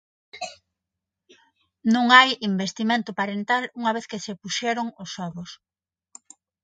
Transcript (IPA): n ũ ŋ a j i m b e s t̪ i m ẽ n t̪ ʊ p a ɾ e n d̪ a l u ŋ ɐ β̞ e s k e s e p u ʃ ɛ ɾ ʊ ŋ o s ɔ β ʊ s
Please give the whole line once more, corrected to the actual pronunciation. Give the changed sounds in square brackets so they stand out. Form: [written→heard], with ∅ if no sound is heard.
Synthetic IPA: n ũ ŋ a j i m b e s t̪ i m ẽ n t̪ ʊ p a ɾ e n [d̪→t̪] a l u ŋ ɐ β̞ e [s→θ] k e s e p u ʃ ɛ ɾ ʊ ŋ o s ɔ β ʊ s